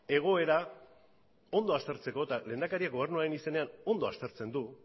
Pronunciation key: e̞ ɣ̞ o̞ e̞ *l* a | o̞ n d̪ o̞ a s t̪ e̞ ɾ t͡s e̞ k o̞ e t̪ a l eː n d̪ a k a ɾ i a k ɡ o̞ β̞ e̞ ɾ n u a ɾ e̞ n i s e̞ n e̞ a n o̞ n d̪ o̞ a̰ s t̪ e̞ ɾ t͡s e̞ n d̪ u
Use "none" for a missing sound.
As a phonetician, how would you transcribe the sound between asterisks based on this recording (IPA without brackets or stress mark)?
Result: ɾ